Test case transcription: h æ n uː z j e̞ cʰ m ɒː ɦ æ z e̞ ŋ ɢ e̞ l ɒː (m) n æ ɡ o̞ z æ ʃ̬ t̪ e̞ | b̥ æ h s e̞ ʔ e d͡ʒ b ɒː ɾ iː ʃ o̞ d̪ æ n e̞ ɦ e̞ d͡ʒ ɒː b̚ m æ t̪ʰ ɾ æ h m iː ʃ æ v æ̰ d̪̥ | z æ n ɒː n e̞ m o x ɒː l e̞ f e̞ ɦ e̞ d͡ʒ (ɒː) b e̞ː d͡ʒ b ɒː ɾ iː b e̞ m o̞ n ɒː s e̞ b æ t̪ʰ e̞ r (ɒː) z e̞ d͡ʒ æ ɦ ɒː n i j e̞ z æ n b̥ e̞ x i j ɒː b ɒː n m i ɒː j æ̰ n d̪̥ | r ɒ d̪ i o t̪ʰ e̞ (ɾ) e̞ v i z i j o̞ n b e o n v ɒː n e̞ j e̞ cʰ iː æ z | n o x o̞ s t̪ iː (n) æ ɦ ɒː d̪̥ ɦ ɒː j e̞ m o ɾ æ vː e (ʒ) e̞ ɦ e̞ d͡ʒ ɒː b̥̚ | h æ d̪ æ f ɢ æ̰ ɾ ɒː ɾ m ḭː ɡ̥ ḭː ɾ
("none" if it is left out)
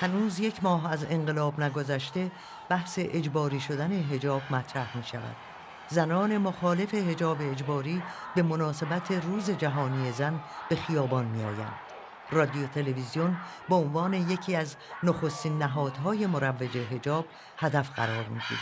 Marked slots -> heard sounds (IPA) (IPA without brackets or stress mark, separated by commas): b, ɒː, uː, l, nː, d͡ʒ